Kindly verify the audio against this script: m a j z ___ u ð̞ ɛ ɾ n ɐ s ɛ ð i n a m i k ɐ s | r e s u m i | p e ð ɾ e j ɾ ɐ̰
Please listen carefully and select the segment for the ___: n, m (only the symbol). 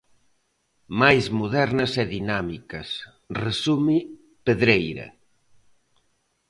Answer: m